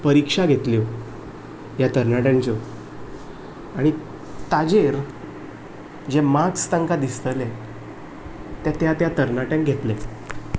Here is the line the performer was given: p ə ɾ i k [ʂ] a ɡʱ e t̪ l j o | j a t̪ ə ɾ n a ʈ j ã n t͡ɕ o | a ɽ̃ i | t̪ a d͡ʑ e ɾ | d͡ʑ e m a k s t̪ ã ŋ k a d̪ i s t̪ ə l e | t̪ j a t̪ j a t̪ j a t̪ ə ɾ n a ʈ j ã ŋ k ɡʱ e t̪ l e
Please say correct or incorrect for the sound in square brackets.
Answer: correct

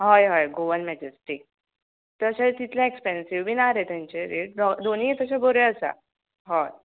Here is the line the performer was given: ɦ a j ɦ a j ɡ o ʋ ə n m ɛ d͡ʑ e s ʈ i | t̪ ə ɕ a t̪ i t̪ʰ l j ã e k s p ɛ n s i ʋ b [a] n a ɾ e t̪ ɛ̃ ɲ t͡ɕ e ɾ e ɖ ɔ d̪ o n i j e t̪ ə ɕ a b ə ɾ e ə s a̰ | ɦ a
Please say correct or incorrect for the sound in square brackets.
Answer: incorrect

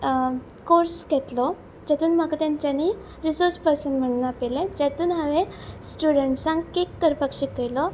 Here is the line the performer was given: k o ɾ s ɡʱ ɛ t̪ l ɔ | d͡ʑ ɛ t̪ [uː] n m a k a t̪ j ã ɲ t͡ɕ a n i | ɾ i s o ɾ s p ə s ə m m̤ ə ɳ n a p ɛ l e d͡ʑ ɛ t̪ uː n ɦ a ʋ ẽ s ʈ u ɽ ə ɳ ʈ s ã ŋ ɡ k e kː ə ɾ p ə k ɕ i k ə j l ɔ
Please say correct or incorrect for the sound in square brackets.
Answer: correct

